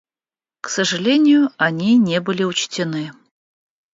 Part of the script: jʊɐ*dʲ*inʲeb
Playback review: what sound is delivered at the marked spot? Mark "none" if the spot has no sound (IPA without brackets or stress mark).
nʲ